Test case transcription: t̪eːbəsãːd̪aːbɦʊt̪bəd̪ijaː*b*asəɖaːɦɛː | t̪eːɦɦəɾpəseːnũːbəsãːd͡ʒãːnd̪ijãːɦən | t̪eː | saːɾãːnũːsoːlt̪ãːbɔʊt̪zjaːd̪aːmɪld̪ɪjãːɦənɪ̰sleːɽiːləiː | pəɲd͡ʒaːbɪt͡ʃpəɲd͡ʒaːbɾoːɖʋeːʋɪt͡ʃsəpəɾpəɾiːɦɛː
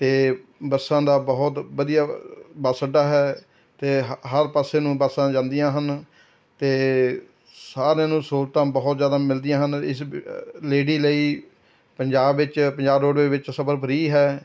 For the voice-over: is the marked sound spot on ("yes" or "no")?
yes